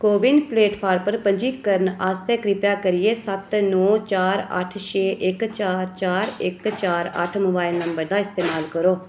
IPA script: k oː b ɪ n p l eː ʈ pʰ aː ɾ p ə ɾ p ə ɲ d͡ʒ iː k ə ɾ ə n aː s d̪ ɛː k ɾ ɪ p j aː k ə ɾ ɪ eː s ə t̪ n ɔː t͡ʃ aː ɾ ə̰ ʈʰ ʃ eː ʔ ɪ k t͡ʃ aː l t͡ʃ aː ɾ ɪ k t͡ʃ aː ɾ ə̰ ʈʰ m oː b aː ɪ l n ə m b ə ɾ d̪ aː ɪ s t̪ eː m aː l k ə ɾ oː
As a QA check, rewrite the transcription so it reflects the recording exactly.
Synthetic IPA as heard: k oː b ɪ n p l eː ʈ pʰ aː ɾ p ə ɾ p ə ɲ d͡ʒ iː k ə ɾ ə n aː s t̪ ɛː k ɾ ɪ p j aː k ə ɾ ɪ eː s ə t̪ n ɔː t͡ʃ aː ɾ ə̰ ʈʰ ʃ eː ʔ ɪ k t͡ʃ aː ɾ t͡ʃ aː ɾ ɪ k t͡ʃ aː ɾ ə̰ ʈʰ m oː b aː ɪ l n ə m b ə ɾ d̪ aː ɪ s t̪ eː m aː l k ə ɾ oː